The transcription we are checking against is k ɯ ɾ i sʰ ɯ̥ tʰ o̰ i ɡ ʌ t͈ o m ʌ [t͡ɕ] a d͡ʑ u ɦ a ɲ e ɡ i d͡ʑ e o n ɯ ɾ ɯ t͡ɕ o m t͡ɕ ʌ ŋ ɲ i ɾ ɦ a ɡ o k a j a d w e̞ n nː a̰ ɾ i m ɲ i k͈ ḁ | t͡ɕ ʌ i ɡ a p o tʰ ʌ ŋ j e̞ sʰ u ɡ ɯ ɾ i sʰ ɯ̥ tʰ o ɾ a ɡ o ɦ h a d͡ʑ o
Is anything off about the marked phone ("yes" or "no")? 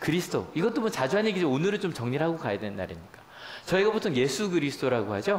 no